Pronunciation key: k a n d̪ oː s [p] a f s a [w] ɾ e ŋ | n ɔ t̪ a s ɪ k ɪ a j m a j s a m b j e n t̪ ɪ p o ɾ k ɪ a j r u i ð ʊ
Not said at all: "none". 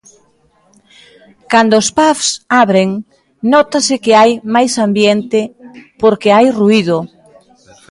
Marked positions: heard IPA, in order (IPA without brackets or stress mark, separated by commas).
p, β